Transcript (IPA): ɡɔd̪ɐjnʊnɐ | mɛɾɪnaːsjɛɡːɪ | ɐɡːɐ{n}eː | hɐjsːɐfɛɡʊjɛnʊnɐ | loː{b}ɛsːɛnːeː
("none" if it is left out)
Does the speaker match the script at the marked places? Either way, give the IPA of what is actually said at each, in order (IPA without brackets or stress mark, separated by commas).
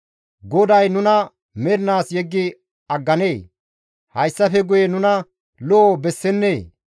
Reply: n, b